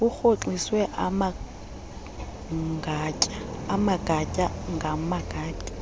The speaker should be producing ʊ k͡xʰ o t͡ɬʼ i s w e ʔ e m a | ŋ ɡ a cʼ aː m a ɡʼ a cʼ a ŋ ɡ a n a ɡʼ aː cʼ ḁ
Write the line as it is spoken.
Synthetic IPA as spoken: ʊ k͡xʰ o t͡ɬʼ i s w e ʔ a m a | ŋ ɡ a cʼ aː m a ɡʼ a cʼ a ŋ ɡ a m a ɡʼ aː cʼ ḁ